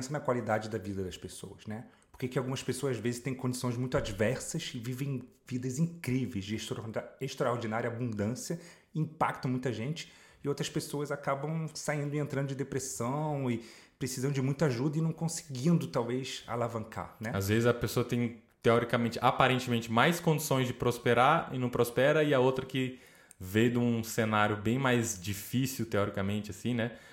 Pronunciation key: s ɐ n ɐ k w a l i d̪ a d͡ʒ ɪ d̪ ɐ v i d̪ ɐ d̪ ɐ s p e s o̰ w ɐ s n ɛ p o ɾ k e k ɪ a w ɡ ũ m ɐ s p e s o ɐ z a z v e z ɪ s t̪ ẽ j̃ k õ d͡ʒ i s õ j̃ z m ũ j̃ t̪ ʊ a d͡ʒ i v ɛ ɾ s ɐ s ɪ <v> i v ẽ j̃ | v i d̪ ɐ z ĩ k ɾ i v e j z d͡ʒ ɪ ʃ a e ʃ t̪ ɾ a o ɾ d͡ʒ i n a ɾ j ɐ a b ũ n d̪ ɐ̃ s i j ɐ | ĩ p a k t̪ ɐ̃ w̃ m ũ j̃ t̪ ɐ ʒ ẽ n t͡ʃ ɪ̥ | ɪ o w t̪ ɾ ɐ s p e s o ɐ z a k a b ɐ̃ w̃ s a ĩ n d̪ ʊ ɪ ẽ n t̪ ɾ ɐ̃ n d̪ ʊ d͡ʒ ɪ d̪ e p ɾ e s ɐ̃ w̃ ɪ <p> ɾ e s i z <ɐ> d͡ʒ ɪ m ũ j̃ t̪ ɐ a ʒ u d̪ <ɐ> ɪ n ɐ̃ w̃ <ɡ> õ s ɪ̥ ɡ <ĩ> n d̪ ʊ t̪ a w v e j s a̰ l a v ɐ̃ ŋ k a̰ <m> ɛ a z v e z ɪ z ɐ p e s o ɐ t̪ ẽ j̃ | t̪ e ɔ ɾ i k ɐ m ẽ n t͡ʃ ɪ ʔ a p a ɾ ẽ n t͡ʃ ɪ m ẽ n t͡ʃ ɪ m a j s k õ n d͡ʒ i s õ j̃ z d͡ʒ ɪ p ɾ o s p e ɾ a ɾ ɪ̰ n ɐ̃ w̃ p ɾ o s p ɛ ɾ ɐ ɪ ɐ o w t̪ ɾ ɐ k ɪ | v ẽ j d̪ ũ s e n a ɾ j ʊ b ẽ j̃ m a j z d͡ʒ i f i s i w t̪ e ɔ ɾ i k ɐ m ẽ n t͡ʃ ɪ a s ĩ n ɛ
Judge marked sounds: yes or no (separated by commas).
yes, yes, no, yes, no, yes, no